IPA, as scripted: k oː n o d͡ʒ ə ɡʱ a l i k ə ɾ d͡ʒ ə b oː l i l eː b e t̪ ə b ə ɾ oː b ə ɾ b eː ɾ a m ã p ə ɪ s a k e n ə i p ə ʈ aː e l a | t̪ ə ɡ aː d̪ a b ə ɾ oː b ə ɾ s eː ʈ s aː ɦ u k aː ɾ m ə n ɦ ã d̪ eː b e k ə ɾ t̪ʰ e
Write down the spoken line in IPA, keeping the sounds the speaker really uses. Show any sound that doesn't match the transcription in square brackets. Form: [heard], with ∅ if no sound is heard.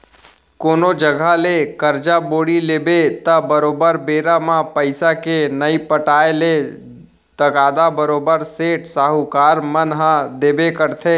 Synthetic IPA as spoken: k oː n o d͡ʒ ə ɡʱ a l [e] k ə ɾ d͡ʒ [a] b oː [ɽ] i l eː b e t̪ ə b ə ɾ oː b ə ɾ b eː ɾ a m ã p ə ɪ s a k e n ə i p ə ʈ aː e l [e] | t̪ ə ɡ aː d̪ a b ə ɾ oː b ə ɾ s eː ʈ s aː ɦ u k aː ɾ m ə n ɦ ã d̪ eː b e k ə ɾ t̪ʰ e